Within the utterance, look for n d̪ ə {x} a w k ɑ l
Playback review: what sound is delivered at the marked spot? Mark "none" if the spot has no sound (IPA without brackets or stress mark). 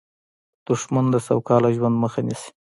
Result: s